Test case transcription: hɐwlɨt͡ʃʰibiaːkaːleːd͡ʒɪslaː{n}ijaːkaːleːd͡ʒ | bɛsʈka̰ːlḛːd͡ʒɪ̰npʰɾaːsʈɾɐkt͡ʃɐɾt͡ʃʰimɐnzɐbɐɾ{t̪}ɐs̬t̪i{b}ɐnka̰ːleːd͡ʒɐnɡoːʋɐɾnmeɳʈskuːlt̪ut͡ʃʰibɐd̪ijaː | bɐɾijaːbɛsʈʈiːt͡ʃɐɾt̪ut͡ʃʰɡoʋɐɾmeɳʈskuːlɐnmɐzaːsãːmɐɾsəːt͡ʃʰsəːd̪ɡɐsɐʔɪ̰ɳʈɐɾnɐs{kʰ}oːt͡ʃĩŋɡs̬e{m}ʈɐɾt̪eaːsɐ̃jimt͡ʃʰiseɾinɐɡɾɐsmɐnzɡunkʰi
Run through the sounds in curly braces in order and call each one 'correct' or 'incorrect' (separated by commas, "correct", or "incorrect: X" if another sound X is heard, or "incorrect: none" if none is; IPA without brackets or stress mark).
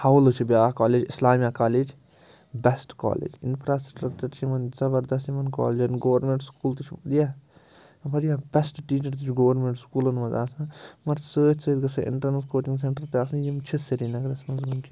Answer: incorrect: m, incorrect: d̪, incorrect: m, incorrect: k, incorrect: ɳ